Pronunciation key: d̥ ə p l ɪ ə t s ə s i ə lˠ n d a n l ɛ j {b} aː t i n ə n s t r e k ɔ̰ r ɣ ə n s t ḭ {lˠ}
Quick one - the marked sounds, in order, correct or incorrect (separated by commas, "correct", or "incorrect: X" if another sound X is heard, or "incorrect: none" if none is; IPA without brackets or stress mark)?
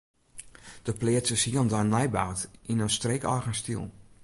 correct, correct